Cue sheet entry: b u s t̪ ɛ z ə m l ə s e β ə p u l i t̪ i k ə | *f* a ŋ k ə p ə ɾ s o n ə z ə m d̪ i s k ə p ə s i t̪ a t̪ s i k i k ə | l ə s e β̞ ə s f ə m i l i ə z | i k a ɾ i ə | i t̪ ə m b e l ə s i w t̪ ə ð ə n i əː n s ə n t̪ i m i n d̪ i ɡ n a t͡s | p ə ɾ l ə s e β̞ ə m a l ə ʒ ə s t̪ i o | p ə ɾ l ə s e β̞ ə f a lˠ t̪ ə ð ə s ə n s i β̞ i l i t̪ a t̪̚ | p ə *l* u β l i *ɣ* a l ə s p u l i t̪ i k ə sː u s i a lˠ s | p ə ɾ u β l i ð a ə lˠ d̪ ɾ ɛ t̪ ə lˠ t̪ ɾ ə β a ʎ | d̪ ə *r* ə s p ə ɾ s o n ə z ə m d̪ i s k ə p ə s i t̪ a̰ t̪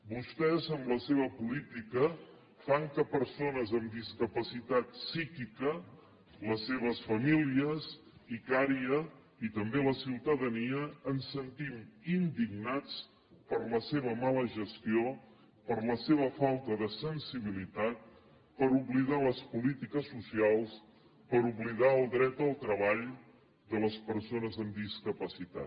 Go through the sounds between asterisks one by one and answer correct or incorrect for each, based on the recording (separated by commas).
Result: correct, incorrect, incorrect, incorrect